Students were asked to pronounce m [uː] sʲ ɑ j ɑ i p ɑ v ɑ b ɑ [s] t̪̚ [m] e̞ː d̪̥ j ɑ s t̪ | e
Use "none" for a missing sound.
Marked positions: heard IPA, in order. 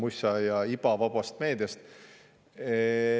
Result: u, s, m

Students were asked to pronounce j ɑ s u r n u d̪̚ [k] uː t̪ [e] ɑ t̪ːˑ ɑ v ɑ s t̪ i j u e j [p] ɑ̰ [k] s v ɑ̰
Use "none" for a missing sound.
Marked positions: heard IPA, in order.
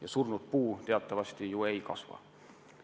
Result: p, e, k, none

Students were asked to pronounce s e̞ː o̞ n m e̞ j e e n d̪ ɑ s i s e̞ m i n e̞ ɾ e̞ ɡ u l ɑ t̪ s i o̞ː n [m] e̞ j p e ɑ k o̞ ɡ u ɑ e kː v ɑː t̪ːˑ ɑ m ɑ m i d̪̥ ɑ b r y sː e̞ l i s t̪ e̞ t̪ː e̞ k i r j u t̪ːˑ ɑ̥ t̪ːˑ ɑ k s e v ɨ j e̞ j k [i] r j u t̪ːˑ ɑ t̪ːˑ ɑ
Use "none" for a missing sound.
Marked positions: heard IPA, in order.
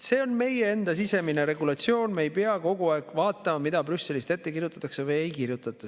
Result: m, i

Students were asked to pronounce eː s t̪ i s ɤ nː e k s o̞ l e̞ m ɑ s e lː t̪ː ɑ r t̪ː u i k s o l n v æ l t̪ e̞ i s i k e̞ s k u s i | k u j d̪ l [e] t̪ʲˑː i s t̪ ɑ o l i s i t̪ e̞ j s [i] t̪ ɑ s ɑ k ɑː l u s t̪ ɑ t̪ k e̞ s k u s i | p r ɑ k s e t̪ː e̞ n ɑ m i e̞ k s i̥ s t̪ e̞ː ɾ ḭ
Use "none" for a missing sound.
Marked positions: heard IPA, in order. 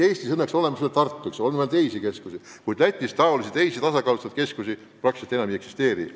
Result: æ, i

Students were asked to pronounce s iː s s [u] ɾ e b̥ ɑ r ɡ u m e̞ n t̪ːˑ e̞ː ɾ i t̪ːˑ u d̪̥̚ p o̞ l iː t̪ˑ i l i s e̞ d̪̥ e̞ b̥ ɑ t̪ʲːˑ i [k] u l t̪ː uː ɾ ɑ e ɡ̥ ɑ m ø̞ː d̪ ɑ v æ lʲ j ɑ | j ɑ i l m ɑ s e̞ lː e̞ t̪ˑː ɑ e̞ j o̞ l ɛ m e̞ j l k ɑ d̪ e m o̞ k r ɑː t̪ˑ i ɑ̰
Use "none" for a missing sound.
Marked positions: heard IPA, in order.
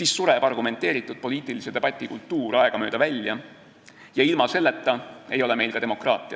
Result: u, k

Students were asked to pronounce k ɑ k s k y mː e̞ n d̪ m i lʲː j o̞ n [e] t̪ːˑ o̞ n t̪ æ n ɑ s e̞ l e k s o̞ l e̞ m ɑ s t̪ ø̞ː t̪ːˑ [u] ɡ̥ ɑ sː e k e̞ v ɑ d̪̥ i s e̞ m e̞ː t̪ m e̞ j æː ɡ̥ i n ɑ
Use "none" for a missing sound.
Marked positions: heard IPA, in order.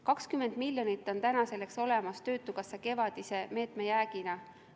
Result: i, u

